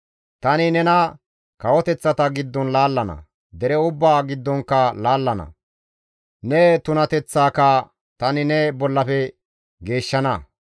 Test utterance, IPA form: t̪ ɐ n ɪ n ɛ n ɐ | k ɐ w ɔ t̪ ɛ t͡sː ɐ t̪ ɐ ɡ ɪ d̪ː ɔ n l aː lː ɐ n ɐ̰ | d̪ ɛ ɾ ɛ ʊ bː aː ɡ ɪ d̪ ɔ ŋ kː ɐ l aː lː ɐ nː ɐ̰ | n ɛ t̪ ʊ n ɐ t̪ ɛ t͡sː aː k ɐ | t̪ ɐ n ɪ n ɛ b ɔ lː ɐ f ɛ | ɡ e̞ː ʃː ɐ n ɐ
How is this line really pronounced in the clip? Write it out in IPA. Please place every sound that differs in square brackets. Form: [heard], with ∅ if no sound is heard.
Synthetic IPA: t̪ ɐ n ɪ n ɛ n ɐ | k ɐ w ɔ t̪ ɛ t͡sː ɐ t̪ ɐ ɡ ɪ d̪ː ɔ n l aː lː ɐ n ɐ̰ | d̪ ɛ ɾ ɛ ʊ bː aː ɡ ɪ [d̪ː] ɔ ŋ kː ɐ l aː lː ɐ [n] ɐ̰ | n ɛ t̪ ʊ n ɐ t̪ ɛ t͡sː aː k ɐ | t̪ ɐ n ɪ n ɛ b ɔ lː ɐ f ɛ | ɡ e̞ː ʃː ɐ n ɐ

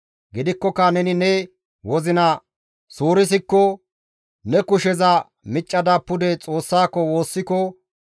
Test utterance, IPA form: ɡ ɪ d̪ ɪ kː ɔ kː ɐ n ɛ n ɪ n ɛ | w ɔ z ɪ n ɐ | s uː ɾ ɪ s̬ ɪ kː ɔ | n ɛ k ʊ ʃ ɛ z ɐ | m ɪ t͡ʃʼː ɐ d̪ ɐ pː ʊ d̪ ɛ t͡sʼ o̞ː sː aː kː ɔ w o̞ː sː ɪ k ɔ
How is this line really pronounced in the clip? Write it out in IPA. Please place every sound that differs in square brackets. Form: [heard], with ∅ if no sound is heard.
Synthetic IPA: ɡ ɪ d̪ ɪ kː ɔ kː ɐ n ɛ n ɪ n ɛ | w ɔ z ɪ n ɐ | s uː ɾ ɪ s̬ ɪ kː ɔ | n ɛ k ʊ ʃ ɛ z ɐ | m ɪ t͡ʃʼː ɐ d̪ ɐ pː ʊ d̪ ɛ t͡sʼ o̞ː sː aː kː ɔ w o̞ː sː ɪ k ɔ

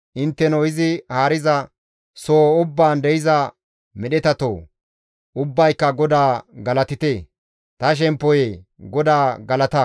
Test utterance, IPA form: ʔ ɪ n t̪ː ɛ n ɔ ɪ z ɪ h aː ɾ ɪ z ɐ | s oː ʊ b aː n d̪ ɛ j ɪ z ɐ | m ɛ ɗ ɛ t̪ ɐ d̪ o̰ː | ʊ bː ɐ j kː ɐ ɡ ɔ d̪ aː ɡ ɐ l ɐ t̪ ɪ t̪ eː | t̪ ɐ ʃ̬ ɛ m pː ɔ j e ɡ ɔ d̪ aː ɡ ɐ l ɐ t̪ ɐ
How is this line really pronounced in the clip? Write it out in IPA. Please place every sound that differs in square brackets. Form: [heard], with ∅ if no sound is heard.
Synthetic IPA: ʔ ɪ n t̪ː ɛ n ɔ ɪ z ɪ h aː ɾ ɪ z ɐ | s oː ʊ [bː] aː n d̪ ɛ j ɪ z ɐ | m ɛ ɗ ɛ t̪ ɐ [t̪] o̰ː | ʊ bː ɐ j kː ɐ ɡ ɔ d̪ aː ɡ ɐ l ɐ t̪ ɪ t̪ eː | t̪ ɐ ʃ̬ ɛ m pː ɔ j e ɡ ɔ d̪ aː ɡ ɐ l ɐ t̪ ɐ

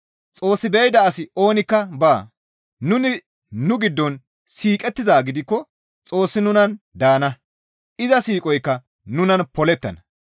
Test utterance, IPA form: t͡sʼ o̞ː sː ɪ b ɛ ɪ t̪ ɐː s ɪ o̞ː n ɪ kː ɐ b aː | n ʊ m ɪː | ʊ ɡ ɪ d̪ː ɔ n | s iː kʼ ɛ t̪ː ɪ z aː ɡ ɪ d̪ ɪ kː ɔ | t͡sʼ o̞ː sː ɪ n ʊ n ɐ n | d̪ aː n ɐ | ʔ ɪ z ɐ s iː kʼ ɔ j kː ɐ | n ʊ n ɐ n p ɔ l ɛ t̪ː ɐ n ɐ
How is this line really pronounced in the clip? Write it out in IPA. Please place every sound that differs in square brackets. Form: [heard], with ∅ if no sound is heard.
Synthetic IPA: t͡sʼ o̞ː sː ɪ b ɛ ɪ [d̪] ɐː s ɪ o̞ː n ɪ kː ɐ b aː | n ʊ [n] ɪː | ʊ ɡ ɪ d̪ː ɔ n | s iː kʼ ɛ t̪ː ɪ z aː ɡ ɪ d̪ ɪ kː ɔ | t͡sʼ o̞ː sː ɪ n ʊ n ɐ n | d̪ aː n ɐ | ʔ ɪ z ɐ s iː kʼ ɔ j kː ɐ | n ʊ n ɐ n p ɔ l ɛ t̪ː ɐ n ɐ

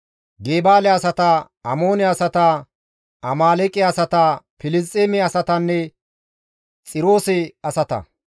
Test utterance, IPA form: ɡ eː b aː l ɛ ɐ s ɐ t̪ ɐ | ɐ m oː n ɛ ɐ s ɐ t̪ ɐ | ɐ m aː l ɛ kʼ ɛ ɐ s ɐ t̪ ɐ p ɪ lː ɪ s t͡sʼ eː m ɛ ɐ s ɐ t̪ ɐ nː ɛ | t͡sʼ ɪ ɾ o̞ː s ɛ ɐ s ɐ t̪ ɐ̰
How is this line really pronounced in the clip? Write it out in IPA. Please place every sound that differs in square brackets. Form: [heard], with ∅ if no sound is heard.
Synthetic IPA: ɡ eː b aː l ɛ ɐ s ɐ t̪ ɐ | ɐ m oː n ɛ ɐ s ɐ t̪ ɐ | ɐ m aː l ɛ kʼ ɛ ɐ s ɐ t̪ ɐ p ɪ [l] ɪ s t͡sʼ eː m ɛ ɐ s ɐ t̪ ɐ nː ɛ | t͡sʼ ɪ ɾ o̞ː s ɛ ɐ s ɐ t̪ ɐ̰

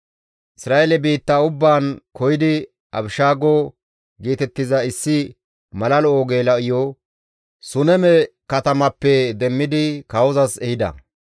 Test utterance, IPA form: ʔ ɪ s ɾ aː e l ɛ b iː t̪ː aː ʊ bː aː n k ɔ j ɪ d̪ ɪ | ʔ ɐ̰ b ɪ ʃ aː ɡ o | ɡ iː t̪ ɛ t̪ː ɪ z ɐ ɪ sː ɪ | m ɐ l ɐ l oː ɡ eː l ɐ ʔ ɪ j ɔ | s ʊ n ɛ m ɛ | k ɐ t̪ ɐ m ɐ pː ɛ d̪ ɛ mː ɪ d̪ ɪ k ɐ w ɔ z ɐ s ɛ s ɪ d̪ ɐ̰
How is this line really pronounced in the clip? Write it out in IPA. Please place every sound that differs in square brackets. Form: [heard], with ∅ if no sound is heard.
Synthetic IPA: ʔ ɪ s ɾ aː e l ɛ b iː t̪ː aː ʊ bː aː n k ɔ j ɪ d̪ ɪ | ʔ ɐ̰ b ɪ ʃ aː ɡ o | ɡ iː t̪ ɛ t̪ː ɪ z ɐ ɪ sː ɪ | m ɐ l ɐ l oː ɡ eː l ɐ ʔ ɪ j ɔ | s ʊ n ɛ m ɛ | k ɐ t̪ ɐ m ɐ pː ɛ d̪ ɛ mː ɪ d̪ ɪ k ɐ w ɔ z ɐ s ɛ [h] ɪ d̪ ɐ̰

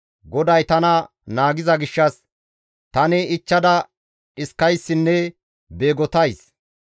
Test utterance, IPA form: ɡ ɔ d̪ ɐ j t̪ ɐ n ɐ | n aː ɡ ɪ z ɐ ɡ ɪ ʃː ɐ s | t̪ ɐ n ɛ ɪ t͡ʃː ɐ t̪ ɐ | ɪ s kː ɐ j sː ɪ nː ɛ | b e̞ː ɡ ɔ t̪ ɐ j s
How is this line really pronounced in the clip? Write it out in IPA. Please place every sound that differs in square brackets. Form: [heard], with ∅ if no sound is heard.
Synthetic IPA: ɡ ɔ d̪ ɐ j t̪ ɐ n ɐ | n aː ɡ ɪ z ɐ ɡ ɪ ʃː ɐ s | t̪ ɐ n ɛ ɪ t͡ʃː ɐ [d̪] ɐ | ɪ s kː ɐ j sː ɪ nː ɛ | b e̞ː ɡ ɔ t̪ ɐ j s

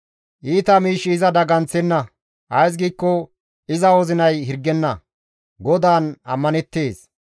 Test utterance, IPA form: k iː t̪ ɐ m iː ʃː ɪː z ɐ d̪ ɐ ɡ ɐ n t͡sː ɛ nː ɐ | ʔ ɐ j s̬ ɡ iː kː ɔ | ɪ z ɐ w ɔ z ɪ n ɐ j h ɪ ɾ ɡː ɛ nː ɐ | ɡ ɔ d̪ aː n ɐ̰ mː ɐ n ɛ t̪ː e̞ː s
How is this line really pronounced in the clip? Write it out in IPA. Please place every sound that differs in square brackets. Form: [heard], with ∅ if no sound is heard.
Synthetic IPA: [ʔ] iː t̪ ɐ m iː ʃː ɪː z ɐ d̪ ɐ ɡ ɐ n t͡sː ɛ nː ɐ | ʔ ɐ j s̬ ɡ iː kː ɔ | ɪ z ɐ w ɔ z ɪ n ɐ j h ɪ ɾ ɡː ɛ nː ɐ | ɡ ɔ d̪ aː n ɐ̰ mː ɐ n ɛ t̪ː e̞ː s

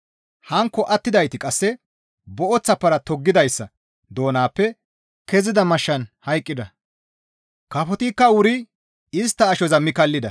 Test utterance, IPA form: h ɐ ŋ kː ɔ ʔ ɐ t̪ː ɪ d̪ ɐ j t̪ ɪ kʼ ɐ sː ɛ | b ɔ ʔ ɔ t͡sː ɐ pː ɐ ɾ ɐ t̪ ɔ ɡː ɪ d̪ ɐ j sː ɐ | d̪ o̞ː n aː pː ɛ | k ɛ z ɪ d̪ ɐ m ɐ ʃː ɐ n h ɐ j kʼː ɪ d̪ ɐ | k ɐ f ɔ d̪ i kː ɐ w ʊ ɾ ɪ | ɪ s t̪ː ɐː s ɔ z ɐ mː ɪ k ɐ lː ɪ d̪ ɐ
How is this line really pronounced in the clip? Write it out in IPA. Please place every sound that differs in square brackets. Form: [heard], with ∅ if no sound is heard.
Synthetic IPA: h ɐ ŋ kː ɔ ʔ ɐ t̪ː ɪ d̪ ɐ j t̪ ɪ kʼ ɐ sː ɛ | b ɔ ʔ ɔ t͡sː ɐ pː ɐ ɾ ɐ t̪ ɔ ɡː ɪ d̪ ɐ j sː ɐ | d̪ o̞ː n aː pː ɛ | k ɛ z ɪ d̪ ɐ m ɐ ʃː ɐ n h ɐ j kʼː ɪ d̪ ɐ | k ɐ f ɔ [t̪] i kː ɐ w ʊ ɾ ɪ | ɪ s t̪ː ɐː [ʃ] ɔ z ɐ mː ɪ k ɐ lː ɪ d̪ ɐ

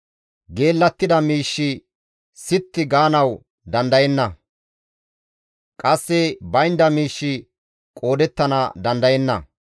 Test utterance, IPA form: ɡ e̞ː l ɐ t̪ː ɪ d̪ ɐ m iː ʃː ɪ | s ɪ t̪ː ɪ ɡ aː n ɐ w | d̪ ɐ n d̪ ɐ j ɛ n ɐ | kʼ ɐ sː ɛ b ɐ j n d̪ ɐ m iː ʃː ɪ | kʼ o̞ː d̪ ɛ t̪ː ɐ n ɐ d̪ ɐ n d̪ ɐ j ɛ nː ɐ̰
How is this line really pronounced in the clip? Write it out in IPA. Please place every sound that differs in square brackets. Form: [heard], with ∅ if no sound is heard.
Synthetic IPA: ɡ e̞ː [lː] ɐ t̪ː ɪ d̪ ɐ m iː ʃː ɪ | s ɪ t̪ː ɪ ɡ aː n ɐ w | d̪ ɐ n d̪ ɐ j ɛ [nː] ɐ | kʼ ɐ sː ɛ b ɐ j n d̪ ɐ m iː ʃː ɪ | kʼ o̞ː d̪ ɛ t̪ː ɐ n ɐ d̪ ɐ n d̪ ɐ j ɛ nː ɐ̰

